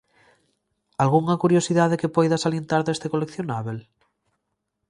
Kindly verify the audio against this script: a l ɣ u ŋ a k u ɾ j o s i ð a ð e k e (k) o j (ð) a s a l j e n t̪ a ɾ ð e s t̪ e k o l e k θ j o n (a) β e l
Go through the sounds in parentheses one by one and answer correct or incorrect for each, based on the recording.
incorrect: p, correct, correct

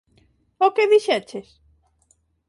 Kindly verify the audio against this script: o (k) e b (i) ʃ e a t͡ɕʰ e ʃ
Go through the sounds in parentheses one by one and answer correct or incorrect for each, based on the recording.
correct, correct

